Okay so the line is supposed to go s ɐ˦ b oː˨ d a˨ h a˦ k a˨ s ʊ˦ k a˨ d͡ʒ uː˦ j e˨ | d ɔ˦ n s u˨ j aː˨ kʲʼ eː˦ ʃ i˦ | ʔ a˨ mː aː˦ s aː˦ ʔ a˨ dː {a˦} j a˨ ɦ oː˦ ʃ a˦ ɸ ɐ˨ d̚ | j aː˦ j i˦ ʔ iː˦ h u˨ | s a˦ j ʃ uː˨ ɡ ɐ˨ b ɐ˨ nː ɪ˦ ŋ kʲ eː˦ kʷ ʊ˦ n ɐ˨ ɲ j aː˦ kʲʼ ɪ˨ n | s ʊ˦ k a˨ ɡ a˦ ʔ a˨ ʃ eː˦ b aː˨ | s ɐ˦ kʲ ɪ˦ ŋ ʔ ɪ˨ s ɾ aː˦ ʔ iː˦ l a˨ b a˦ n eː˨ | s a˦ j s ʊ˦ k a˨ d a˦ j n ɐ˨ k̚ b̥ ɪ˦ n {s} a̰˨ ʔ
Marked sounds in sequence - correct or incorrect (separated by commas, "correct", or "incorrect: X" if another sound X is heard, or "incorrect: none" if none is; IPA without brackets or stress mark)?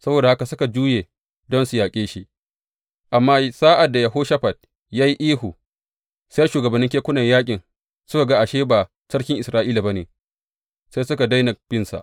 incorrect: a˨, correct